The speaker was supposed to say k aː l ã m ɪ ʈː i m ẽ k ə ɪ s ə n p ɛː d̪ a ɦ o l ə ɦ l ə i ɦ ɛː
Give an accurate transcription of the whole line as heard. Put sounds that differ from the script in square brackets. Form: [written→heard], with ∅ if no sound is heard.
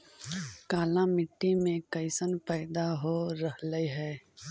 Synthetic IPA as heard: k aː l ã m ɪ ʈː i m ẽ k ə ɪ s ə n p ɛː d̪ a ɦ o [l→ɾ] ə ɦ l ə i ɦ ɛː

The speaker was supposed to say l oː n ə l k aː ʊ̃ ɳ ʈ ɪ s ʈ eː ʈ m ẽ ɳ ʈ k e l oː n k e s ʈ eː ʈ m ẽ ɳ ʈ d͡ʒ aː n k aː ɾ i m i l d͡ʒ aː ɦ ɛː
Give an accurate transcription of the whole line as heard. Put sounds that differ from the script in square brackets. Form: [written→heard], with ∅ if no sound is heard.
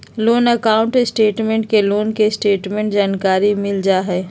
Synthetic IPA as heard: l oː n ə [l→∅] k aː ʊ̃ ɳ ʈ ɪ s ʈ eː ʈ m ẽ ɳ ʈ k e l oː n k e s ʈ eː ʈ m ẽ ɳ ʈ d͡ʒ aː n k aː ɾ i m [i→ɪ] l d͡ʒ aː ɦ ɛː

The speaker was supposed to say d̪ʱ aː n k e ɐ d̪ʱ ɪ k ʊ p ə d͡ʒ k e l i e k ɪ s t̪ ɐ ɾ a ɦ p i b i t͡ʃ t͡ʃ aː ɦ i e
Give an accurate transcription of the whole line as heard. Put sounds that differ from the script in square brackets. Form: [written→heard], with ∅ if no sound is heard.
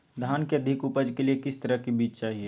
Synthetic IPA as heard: d̪ʱ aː n k e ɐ d̪ʱ ɪ k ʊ p ə d͡ʒ k e l i e k ɪ s t̪ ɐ ɾ [a→ə] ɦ [p→k] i b [i→iː] t͡ʃ t͡ʃ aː ɦ i e

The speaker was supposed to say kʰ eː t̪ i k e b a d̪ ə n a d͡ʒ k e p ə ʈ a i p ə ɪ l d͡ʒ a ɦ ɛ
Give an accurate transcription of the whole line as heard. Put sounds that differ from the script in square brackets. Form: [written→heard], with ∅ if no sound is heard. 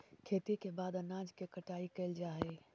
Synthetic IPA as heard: kʰ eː t̪ i k e b a d̪ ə n a d͡ʒ k e [p→k] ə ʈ a i [p→k] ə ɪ l d͡ʒ a ɦ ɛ

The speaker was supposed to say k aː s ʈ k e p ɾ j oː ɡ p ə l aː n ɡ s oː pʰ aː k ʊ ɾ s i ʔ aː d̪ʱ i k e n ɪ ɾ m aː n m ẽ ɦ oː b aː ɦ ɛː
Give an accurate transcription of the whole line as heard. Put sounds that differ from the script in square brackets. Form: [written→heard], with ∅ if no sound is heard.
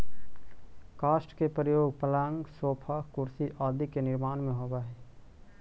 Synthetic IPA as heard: k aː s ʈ k e p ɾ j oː ɡ p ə l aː [n→ŋ] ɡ s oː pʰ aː k ʊ ɾ s i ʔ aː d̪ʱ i k e n ɪ ɾ m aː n m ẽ ɦ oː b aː ɦ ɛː

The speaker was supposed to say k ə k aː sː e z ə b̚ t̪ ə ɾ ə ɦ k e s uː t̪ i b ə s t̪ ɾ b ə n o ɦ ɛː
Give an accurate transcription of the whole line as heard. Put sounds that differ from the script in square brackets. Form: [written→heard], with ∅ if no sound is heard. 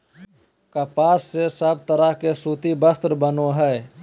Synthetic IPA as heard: k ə [k→p] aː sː e [z→s] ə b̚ t̪ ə ɾ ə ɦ k e s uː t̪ i b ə s t̪ ɾ b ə n o ɦ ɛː

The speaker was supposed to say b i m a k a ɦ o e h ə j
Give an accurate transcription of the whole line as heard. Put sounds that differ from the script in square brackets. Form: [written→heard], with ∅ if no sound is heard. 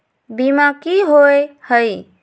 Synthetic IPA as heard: b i m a k [a→i] ɦ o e h ə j

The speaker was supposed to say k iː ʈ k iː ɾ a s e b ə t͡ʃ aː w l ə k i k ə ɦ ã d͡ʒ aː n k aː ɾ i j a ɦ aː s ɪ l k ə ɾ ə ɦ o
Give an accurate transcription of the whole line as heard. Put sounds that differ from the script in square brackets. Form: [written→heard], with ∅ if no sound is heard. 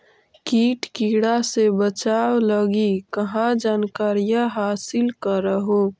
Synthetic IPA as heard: k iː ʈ k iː [ɾ→ɽ] a s e b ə t͡ʃ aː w l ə [k→ɡ] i k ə ɦ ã d͡ʒ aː n k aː ɾ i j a ɦ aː s ɪ l k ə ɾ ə ɦ o

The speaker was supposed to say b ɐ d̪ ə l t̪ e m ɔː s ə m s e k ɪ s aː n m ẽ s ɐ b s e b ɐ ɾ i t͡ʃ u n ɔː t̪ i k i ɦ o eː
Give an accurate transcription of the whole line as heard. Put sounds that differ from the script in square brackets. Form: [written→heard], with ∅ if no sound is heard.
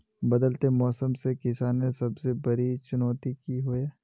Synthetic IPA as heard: b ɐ d̪ ə l t̪ e m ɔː s ə m s e k ɪ s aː n m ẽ s ɐ b s e b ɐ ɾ i t͡ʃ [u→ʊ] n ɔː t̪ i k i ɦ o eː

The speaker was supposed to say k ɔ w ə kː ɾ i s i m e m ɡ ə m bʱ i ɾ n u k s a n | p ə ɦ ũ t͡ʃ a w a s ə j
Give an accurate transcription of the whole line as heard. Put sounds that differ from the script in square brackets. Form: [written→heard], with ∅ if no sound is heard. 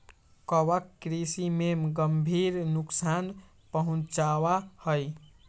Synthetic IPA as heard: k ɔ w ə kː ɾ i s i m e m ɡ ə m bʱ i ɾ n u k s a n | p ə ɦ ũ t͡ʃ a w a [s→h] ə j

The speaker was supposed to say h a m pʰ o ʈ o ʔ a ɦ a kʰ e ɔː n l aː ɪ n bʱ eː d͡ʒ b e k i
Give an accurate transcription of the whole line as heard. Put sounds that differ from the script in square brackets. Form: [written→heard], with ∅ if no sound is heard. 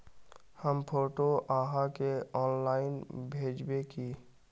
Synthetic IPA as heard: h [a→ə] m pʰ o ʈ o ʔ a ɦ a [kʰ→k] e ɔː n l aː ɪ n bʱ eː d͡ʒ b e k i

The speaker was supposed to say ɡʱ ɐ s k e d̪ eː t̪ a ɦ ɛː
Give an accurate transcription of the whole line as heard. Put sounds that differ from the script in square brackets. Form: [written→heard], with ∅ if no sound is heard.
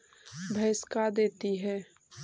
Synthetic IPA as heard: [ɡʱ→bʱ] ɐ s k [e→a] d̪ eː t̪ [a→i] ɦ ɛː

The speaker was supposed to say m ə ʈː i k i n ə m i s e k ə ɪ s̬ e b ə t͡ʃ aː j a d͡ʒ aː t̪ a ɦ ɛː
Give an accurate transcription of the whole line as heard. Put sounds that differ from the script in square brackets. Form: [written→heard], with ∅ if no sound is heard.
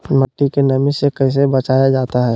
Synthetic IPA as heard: m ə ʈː i k [i→e] n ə m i s e k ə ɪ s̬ e b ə t͡ʃ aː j a d͡ʒ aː t̪ a ɦ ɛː

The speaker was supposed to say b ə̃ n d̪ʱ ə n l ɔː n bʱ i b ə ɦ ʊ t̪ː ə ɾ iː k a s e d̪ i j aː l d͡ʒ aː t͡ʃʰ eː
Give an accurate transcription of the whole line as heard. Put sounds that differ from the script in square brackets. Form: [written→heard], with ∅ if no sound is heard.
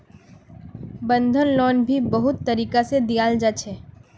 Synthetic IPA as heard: b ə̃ n d̪ʱ ə n l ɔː n bʱ i b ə ɦ ʊ t̪ː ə ɾ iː k a s e d̪ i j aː l d͡ʒ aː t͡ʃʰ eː

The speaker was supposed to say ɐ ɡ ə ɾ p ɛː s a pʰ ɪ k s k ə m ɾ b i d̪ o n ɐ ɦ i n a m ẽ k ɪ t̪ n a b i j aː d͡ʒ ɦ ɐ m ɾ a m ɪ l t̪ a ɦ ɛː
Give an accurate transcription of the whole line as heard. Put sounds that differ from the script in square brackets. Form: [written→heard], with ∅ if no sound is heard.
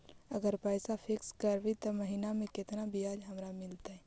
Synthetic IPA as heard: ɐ ɡ ə ɾ p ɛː s a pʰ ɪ k s k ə [m→∅] ɾ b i [d̪→t̪] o [n→m] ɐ ɦ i n a m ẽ k ɪ t̪ n a b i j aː d͡ʒ ɦ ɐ m ɾ a m ɪ l t̪ a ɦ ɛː

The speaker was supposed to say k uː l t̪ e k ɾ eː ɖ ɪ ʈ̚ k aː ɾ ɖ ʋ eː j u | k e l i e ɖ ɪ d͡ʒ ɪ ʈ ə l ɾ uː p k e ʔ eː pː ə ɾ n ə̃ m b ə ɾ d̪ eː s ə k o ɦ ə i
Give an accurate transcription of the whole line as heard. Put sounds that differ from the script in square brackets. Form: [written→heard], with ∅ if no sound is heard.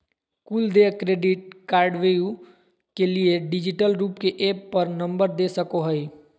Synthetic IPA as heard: k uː l [t̪→d̪] e k ɾ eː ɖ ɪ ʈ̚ k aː ɾ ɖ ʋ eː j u | k e l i e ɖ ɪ d͡ʒ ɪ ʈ ə l ɾ uː p k e ʔ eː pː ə ɾ n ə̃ m b ə ɾ d̪ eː s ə k o ɦ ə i

